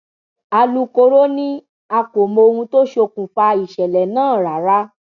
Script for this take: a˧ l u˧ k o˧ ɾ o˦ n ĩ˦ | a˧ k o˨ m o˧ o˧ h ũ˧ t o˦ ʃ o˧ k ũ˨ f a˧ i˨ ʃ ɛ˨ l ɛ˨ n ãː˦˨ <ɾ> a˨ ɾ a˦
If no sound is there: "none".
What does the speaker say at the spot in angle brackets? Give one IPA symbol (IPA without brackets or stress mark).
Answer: ɾ